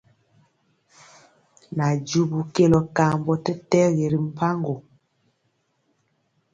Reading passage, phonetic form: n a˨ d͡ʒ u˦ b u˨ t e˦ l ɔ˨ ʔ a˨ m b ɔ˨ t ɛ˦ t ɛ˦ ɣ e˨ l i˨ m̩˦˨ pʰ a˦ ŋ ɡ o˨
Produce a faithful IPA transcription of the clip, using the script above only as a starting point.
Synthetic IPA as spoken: n a˨ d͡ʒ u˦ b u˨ k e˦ l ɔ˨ k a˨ m b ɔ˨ t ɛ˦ t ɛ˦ ɣ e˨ ɾ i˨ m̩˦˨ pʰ a˦ ŋ ɡ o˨